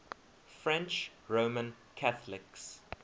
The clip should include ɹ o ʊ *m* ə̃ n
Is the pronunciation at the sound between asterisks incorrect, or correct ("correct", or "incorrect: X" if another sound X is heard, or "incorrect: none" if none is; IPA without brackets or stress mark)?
correct